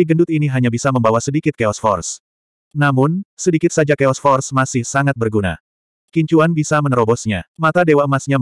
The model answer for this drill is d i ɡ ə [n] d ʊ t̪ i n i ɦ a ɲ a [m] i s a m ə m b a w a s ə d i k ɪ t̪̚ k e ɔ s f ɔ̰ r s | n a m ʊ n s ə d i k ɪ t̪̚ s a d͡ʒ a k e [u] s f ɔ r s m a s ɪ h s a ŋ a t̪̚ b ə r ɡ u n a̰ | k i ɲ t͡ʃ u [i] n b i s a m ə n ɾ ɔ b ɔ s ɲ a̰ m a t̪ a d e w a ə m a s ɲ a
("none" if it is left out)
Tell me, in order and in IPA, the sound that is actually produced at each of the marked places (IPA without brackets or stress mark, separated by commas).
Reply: n, b, ɔ, a